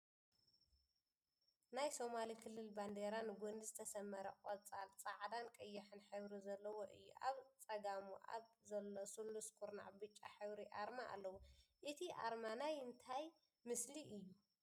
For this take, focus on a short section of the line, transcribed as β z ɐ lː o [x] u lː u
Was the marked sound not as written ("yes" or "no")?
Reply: yes